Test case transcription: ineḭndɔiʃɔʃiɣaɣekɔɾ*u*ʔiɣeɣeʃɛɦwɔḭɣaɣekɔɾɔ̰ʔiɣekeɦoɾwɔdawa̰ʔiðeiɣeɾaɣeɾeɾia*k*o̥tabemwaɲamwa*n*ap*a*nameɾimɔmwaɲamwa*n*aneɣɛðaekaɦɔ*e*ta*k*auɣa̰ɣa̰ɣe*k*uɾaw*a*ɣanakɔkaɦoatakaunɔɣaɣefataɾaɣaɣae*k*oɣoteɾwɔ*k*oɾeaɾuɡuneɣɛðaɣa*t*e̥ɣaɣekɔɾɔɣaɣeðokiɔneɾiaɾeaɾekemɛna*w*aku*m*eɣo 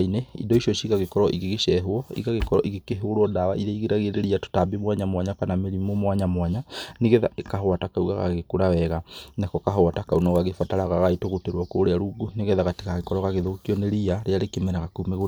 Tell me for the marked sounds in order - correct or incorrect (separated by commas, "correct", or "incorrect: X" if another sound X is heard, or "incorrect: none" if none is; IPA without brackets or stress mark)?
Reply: incorrect: ɔ, incorrect: t, incorrect: ɲ, correct, incorrect: ɲ, incorrect: a, correct, correct, incorrect: ɛ, incorrect: t, correct, correct, incorrect: ɣ, correct